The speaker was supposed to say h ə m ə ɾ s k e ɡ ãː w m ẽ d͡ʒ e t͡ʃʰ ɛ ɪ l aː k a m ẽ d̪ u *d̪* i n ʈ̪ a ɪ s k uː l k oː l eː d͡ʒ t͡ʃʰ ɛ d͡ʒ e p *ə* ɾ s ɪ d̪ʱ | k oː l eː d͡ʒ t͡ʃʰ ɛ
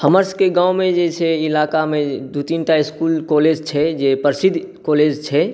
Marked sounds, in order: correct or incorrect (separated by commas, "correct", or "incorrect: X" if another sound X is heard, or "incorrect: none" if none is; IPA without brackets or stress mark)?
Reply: incorrect: t̪, correct